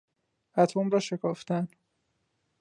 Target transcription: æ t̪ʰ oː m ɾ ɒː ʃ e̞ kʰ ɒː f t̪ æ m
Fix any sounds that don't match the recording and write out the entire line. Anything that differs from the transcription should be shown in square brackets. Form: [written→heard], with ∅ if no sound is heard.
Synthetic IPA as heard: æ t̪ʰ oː m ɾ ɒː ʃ e̞ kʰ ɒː f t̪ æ [m→n]